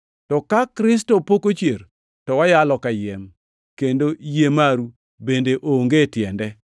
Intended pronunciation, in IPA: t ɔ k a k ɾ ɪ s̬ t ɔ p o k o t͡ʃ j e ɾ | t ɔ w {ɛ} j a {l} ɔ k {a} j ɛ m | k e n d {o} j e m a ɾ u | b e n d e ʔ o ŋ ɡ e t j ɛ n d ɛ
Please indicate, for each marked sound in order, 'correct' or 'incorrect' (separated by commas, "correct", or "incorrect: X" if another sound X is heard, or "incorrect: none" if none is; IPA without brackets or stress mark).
incorrect: a, correct, correct, correct